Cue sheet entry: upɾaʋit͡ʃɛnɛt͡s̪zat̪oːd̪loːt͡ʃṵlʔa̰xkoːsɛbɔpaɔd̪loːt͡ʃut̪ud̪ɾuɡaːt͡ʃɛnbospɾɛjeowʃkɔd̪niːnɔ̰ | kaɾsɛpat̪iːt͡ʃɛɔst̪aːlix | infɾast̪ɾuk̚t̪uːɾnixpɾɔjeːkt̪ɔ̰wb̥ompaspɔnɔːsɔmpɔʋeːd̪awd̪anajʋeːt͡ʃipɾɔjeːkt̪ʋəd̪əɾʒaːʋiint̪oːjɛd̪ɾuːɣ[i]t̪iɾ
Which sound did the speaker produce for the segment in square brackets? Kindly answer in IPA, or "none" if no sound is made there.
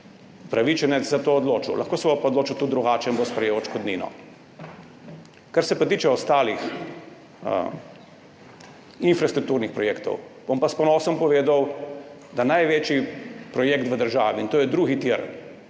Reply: i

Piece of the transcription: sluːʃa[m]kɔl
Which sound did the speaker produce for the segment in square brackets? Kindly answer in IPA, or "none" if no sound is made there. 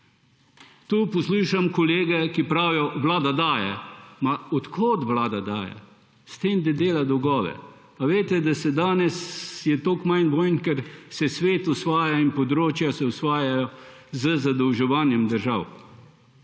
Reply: m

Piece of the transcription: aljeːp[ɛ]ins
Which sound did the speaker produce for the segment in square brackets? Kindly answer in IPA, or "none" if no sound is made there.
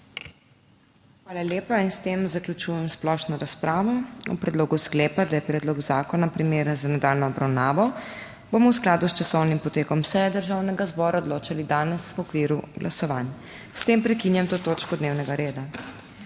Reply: a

